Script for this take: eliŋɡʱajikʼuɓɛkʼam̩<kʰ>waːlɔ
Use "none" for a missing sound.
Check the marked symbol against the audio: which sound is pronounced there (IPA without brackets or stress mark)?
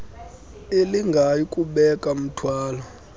tʰ